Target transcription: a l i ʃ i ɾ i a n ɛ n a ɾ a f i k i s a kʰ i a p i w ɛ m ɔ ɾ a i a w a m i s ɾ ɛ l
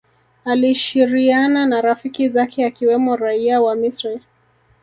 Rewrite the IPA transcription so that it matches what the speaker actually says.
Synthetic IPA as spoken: a l i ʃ i ɾ i a n a n a ɾ a f i k i z a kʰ ɛ a k i w ɛ m ɔ ɾ a i a w a m i s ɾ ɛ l

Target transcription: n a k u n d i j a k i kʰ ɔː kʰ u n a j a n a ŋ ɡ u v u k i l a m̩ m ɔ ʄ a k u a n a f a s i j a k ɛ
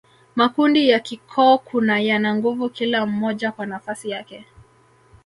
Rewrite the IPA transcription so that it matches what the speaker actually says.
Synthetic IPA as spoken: m a k u n d i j a k i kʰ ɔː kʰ u n a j a n a ŋ ɡ u v u k i l a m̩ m ɔ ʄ a k w a n a f a s i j a k ɛ

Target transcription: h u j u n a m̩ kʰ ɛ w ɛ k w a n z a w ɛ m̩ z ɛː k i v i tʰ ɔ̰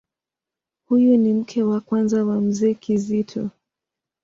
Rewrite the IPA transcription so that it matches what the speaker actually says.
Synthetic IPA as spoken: h u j u n i m̩ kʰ ɛ w a k w a n z a w a m̩ z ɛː k i z i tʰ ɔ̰

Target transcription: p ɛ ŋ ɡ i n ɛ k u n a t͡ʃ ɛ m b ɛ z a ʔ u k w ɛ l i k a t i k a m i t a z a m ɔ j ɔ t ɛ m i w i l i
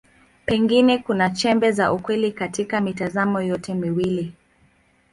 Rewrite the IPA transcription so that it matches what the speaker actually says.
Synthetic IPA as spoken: p ɛ ŋ ɡ i n ɛ k u n a t͡ʃ ɛ m b ɛ z a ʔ u k w ɛ l i k a t i k a m i t a z a m ɔ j ɔ t ɛ m i w i l i

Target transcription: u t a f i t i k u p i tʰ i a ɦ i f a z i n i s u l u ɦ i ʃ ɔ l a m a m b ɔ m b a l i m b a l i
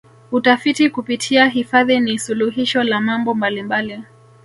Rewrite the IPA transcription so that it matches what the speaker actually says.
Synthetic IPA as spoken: u t a f i t i k u p i tʰ i a ɦ i f a ð i n i s u l u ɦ i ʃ ɔ l a m a m b ɔ m b a l i m b a l i

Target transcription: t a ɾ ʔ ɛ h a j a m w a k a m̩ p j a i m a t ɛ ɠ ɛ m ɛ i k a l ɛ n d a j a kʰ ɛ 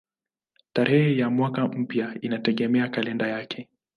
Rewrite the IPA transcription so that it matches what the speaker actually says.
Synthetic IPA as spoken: t a ɾ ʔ ɛ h ɛ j a m w a k a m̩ p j a i n a t ɛ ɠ ɛ m ɛ a k a l ɛ n d a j a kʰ ɛ

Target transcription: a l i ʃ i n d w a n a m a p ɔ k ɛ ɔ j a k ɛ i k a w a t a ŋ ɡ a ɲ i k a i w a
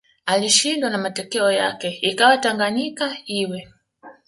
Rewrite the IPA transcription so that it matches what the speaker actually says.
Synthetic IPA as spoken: a l i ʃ i n d w a n a m a t ɔ k ɛ ɔ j a k ɛ i k a w a t a ŋ ɡ a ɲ i k a i w ɛ

